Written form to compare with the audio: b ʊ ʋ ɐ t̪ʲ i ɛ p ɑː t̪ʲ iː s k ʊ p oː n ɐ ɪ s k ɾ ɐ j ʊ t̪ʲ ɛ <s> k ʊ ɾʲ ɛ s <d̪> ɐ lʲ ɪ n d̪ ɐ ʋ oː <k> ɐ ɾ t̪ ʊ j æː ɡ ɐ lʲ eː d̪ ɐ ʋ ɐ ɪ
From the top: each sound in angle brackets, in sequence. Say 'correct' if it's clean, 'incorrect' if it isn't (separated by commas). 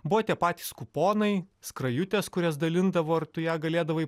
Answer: correct, correct, incorrect